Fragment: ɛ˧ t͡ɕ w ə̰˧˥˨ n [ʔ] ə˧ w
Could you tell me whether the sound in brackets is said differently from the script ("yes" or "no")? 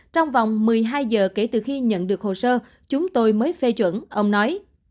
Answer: no